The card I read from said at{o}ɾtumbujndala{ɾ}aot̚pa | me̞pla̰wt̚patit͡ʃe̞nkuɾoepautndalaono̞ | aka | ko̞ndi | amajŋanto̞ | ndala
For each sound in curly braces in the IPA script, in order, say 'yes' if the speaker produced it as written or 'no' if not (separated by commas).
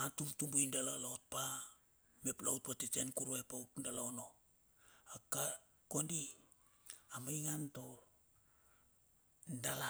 no, no